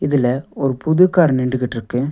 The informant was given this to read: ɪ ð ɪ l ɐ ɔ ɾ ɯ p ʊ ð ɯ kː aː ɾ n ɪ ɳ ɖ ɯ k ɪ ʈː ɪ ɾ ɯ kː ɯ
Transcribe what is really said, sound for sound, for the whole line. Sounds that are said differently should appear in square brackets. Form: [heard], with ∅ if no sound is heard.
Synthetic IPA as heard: ɪ ð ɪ l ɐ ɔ ɾ ɯ p ʊ ð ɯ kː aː ɾ n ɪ ɳ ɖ ɯ k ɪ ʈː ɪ ɾ ɯ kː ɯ